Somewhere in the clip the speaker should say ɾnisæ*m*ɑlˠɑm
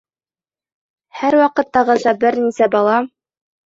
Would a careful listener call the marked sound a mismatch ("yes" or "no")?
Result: yes